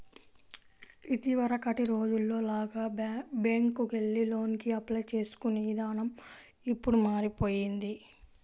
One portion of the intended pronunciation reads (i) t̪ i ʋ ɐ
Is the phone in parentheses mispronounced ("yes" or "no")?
no